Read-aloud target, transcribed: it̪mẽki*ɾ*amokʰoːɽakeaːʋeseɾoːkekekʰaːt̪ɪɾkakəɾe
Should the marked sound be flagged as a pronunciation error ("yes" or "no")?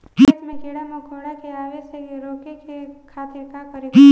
yes